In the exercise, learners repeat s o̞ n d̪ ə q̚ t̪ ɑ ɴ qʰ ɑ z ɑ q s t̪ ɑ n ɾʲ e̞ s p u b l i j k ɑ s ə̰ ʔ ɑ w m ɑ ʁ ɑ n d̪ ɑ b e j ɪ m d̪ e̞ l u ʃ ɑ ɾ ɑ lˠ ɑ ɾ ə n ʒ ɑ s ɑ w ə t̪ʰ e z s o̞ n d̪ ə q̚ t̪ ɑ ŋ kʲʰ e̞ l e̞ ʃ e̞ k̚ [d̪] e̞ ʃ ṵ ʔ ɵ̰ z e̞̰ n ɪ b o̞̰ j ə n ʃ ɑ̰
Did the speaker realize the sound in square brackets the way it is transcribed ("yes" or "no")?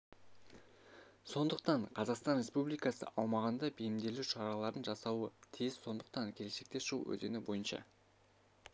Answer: no